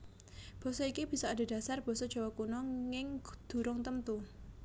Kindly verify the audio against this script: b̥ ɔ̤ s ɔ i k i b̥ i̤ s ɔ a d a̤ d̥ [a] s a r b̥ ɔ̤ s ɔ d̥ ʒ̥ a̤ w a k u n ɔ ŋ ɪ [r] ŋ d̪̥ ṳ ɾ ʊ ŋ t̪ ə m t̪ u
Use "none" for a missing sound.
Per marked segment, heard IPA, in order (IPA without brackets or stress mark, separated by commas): a, none